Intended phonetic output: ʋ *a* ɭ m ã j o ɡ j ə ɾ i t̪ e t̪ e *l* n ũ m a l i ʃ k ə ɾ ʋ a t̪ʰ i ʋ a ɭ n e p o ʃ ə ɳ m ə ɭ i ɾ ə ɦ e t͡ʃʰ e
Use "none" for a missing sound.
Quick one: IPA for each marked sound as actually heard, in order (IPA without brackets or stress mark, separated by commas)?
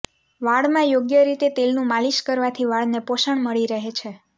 a, l